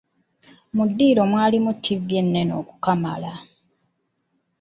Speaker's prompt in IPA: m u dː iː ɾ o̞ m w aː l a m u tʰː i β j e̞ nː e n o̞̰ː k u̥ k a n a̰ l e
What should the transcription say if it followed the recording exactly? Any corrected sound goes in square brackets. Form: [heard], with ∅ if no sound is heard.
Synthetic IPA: m u dː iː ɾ o̞ m w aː l [i] m u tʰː i [v] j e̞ nː e n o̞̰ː k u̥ k a [m] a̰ l [a]